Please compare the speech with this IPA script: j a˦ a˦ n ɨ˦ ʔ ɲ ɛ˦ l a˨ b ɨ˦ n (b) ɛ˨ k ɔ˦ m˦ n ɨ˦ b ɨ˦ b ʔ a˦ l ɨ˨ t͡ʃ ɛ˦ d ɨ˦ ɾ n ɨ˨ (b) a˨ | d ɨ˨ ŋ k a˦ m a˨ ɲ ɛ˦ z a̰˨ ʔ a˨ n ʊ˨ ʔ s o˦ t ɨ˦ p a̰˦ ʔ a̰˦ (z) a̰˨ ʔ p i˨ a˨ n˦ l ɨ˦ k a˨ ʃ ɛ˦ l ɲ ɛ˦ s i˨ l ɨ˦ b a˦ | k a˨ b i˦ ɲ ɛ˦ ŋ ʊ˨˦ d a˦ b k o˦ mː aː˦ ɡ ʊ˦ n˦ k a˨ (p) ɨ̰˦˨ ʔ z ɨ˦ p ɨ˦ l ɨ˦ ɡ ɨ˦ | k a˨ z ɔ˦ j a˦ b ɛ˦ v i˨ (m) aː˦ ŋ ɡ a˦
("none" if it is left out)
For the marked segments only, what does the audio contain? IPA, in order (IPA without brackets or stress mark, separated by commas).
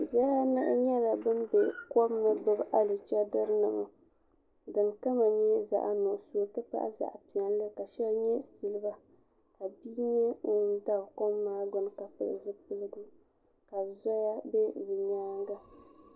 b, m, z, p, ɲ